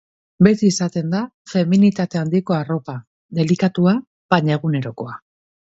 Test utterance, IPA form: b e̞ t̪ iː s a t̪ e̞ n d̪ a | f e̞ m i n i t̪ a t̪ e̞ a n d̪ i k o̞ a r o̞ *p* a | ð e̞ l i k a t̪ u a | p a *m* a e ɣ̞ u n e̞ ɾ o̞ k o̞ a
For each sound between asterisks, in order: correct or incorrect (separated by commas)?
correct, incorrect